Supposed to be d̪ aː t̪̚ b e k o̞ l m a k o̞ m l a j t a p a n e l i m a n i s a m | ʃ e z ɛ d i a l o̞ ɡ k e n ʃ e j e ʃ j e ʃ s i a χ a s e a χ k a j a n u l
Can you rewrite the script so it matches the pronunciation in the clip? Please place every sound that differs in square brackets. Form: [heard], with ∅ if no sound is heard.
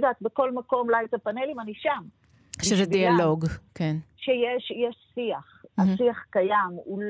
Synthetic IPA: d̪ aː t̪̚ b e k o̞ l m a k o̞ m l a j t a p a n e l i m a n i [ʃ] a m | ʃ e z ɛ d i a l o̞ ɡ k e n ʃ e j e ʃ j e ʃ s i a χ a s [i] a χ k a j a [m] u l